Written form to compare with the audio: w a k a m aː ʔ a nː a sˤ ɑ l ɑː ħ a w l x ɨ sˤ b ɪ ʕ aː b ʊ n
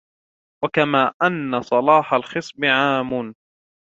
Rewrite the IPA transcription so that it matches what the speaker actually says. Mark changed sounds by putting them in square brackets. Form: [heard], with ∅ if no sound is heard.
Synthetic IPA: w a k a m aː ʔ a nː a sˤ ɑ l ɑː ħ a [∅] l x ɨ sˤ b ɪ ʕ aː [m] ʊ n